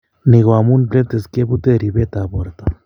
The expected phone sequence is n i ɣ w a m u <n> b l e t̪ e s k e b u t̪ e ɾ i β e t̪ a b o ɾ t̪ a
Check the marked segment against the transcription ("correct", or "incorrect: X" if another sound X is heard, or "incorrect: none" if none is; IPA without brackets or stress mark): correct